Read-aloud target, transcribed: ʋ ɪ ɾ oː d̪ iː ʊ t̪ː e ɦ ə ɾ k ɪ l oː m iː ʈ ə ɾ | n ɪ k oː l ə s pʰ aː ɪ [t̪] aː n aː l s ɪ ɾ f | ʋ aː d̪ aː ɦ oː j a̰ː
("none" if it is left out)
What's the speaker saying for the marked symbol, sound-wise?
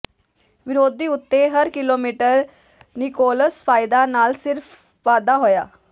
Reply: d̪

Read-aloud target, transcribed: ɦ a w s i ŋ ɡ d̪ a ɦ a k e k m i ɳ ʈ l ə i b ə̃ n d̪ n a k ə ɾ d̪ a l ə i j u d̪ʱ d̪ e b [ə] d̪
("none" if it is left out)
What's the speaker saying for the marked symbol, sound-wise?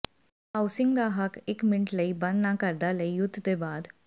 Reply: a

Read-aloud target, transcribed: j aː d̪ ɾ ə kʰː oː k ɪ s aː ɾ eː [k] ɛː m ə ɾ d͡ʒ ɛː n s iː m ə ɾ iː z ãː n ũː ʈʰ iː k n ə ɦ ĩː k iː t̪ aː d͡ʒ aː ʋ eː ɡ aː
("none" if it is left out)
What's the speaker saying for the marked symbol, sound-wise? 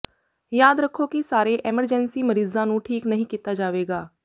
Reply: ʔ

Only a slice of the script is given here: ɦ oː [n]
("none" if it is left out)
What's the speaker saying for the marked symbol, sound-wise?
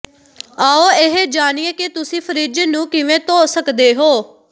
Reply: none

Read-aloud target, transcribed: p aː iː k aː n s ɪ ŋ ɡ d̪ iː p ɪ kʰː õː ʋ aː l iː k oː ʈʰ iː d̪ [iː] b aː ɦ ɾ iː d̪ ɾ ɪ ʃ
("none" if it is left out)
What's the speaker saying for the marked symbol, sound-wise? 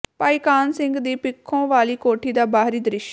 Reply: aː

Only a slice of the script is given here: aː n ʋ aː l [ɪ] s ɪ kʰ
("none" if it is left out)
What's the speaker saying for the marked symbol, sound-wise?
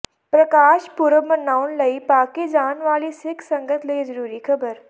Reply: i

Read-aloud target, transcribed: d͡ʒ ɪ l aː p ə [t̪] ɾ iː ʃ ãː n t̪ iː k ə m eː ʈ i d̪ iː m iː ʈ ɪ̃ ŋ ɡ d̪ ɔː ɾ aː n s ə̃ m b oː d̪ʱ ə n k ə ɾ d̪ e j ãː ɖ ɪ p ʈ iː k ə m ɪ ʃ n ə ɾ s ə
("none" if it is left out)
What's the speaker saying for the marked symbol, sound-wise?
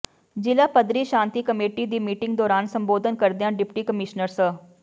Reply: d̪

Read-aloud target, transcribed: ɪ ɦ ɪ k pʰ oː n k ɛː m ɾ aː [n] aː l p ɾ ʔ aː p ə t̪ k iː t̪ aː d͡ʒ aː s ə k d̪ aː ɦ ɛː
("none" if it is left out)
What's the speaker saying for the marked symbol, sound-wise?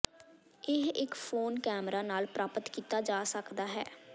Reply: n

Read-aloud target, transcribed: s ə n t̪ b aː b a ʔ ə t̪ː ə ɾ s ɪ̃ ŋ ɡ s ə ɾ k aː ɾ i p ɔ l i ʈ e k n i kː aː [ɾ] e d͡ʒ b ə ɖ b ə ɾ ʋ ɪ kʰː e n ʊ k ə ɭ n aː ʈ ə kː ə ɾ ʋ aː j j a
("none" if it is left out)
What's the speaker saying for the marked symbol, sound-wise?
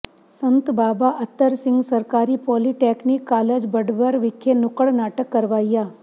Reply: l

